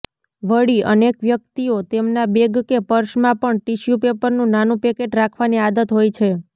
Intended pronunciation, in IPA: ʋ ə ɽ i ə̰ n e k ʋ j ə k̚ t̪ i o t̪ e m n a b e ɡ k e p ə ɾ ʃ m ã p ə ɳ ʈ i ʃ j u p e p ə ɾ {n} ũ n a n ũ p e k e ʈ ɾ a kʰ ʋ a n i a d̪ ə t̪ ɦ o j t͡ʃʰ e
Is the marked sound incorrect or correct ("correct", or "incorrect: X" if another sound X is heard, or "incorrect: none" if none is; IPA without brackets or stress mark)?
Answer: correct